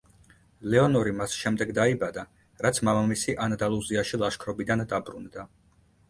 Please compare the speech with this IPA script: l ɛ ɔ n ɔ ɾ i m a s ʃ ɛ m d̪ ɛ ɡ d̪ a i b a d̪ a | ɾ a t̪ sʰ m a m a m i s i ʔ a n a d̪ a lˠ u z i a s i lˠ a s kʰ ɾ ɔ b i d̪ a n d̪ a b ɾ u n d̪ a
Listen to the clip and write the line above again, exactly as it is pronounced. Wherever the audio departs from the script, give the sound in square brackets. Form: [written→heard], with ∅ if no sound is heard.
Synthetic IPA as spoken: l ɛ ɔ n ɔ ɾ i m a s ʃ ɛ m d̪ ɛ ɡ d̪ a i b a d̪ a | ɾ a t̪ sʰ m a m a m i s i ʔ a n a d̪ a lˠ u z i a [s→ʃ] i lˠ a [s→ʃ] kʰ ɾ ɔ b i d̪ a n d̪ a b ɾ u n d̪ a

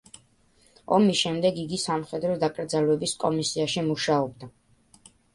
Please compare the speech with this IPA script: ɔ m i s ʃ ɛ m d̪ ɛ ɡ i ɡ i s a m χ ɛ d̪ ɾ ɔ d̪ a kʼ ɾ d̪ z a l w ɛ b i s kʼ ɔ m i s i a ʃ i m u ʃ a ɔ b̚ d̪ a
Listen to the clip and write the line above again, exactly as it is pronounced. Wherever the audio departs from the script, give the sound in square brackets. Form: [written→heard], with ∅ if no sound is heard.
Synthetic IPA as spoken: ɔ m i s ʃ ɛ m d̪ ɛ ɡ i ɡ i s a m χ ɛ d̪ ɾ ɔ d̪ a kʼ ɾ d̪ z a l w ɛ b i s kʼ ɔ m i s i a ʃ i m u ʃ a ɔ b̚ d̪ a

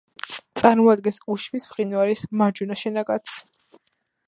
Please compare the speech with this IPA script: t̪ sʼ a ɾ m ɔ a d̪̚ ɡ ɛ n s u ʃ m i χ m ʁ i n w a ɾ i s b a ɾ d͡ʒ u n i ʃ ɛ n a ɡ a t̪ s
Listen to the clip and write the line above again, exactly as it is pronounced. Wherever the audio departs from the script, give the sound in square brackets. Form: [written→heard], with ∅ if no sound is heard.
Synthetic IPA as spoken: t̪ sʼ a ɾ m ɔ a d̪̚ ɡ ɛ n s u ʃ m i [χ→s] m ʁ i n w a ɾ i s [b→m] a ɾ d͡ʒ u n [i→a] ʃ ɛ n a ɡ a t̪ s

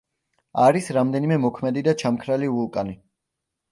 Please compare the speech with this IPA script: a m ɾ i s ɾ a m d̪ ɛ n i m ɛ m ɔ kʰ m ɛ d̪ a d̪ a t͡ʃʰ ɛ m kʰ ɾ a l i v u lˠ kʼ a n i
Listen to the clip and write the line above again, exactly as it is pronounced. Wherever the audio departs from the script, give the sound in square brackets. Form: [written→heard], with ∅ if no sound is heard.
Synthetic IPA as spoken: a [m→∅] ɾ i s ɾ a m d̪ ɛ n i m ɛ m ɔ kʰ m ɛ d̪ [a→i] d̪ a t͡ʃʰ [ɛ→a] m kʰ ɾ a l i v u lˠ kʼ a n i

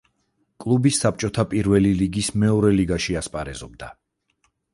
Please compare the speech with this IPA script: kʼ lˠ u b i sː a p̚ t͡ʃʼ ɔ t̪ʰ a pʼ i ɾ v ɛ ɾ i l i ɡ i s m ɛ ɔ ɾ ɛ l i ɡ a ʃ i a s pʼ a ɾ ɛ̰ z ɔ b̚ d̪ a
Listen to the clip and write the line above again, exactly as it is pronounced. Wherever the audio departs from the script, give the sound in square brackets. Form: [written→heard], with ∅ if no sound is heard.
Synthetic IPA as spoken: kʼ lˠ u b i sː a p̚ t͡ʃʼ ɔ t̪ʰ a pʼ i ɾ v ɛ [ɾ→l] i l i ɡ i s m ɛ ɔ ɾ ɛ l i ɡ a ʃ i a s pʼ a ɾ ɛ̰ z ɔ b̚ d̪ a

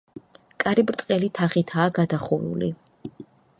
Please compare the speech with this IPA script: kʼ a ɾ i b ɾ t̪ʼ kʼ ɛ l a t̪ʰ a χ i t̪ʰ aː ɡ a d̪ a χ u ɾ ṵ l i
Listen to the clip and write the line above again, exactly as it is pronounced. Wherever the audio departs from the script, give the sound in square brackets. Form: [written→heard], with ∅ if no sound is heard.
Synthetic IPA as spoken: kʼ a ɾ i b ɾ t̪ʼ [kʼ→qʼ] ɛ l [a→i] t̪ʰ a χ i t̪ʰ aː ɡ a d̪ a χ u ɾ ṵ l i

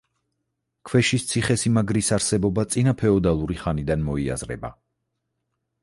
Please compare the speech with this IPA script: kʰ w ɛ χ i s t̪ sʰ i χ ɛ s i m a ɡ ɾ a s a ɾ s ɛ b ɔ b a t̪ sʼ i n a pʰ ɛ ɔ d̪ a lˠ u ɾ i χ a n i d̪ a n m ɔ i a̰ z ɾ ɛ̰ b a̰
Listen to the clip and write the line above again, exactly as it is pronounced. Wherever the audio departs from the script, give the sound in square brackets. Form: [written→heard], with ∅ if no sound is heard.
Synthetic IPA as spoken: kʰ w ɛ [χ→ʃ] i s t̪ sʰ i χ ɛ s i m a ɡ ɾ [a→i] s a ɾ s ɛ b ɔ b a t̪ sʼ i n a pʰ ɛ ɔ d̪ a lˠ u ɾ i χ a n i d̪ a n m ɔ i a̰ z ɾ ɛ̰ b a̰

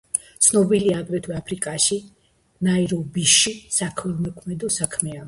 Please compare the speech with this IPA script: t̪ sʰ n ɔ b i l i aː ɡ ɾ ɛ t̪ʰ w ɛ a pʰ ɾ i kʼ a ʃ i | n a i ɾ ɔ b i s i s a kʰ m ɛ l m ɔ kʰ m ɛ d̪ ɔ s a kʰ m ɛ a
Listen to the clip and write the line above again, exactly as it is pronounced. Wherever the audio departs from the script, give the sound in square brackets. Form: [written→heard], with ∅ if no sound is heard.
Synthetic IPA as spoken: t̪ sʰ n ɔ b i l i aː ɡ ɾ ɛ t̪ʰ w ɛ a pʰ ɾ i kʼ a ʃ i | n a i ɾ ɔ b i [s→ʃ] i s a kʰ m ɛ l m ɔ kʰ m ɛ d̪ ɔ s a kʰ m ɛ a

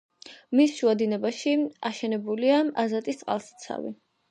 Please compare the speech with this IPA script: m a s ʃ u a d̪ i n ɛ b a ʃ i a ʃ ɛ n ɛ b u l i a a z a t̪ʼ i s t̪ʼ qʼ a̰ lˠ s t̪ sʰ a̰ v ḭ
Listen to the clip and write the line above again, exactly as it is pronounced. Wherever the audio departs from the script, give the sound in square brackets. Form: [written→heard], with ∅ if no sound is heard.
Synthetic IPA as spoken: m [a→i] s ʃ u a d̪ i n ɛ b a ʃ i a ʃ ɛ n ɛ b u l i a a z a t̪ʼ i s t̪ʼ qʼ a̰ lˠ s t̪ sʰ a̰ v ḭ

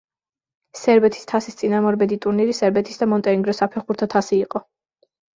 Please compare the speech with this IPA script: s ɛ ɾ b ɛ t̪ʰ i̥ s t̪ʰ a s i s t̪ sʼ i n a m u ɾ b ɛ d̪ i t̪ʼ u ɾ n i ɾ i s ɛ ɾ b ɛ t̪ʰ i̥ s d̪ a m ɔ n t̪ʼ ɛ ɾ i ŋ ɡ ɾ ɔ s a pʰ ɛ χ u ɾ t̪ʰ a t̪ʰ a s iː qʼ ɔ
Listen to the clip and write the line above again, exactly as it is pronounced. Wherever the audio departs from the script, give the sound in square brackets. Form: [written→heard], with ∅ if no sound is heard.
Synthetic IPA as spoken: s ɛ ɾ b ɛ t̪ʰ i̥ s t̪ʰ a s i s t̪ sʼ i n a m [u→ɔ] ɾ b ɛ d̪ i t̪ʼ u ɾ n i ɾ i s ɛ ɾ b ɛ t̪ʰ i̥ s d̪ a m ɔ n t̪ʼ ɛ ɾ i ŋ ɡ ɾ ɔ s a pʰ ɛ χ u ɾ t̪ʰ a t̪ʰ a s iː qʼ ɔ

